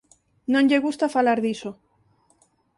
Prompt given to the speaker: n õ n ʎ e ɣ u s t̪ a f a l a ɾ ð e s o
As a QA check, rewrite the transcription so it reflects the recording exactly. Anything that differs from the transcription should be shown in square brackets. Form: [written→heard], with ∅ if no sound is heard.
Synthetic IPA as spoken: n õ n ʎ e ɣ u s t̪ a f a l a ɾ ð [e→i] s o